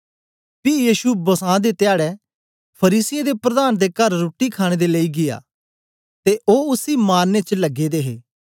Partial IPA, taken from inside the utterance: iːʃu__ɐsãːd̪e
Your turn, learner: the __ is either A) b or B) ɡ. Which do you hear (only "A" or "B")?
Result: A